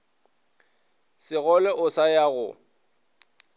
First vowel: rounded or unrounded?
unrounded